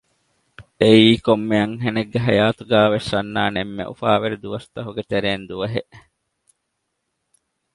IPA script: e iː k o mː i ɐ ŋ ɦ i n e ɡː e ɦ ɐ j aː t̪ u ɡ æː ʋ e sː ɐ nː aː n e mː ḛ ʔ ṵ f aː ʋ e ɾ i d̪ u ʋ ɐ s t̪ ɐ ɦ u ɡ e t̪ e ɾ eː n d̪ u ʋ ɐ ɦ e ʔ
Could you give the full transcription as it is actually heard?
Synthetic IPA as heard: e iː k o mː e ɐ ŋ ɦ e n e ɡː e ɦ ɐ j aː t̪ u ɡ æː ʋ e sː ɐ nː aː n e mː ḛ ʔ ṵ f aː ʋ e ɾ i d̪ u ʋ ɐ s t̪ ɐ ɦ u ɡ e t̪ e ɾ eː n d̪ u ʋ ɐ ɦ e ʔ